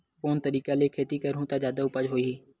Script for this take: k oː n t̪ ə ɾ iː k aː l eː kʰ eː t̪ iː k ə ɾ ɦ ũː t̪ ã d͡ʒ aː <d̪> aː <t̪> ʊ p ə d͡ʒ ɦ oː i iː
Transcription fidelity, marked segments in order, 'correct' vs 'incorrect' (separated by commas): correct, incorrect